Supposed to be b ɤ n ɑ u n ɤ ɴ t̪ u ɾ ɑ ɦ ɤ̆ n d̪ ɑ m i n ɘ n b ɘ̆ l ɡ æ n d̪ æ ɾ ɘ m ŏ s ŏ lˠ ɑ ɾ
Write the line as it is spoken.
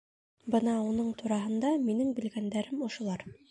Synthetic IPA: b ɤ n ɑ u n ɤ ɴ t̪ u ɾ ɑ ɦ ɤ̆ n d̪ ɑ m i n ɘ ŋ b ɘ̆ l ɡ æ n d̪ æ ɾ ɘ m ŏ ʃ ŏ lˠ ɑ ɾ